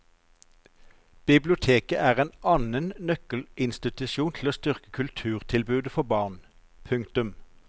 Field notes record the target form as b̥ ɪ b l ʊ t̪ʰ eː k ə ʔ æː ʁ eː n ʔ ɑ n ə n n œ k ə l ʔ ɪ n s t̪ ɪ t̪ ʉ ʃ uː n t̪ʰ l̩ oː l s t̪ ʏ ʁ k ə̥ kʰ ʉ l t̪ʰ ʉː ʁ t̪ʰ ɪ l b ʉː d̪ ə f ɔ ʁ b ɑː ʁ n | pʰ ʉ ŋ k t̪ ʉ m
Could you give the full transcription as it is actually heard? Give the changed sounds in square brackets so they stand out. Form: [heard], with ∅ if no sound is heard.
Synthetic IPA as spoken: b̥ ɪ b l ʊ t̪ʰ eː k ə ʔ æː ʁ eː n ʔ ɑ n ə n n œ k ə l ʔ ɪ n s t̪ ɪ t̪ ʉ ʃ uː n t̪ʰ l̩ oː [∅] s t̪ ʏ ʁ k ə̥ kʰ ʉ l t̪ʰ ʉː ʁ t̪ʰ ɪ l b ʉː d̪ ə f ɔ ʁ b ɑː ʁ n | pʰ ʉ ŋ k t̪ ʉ m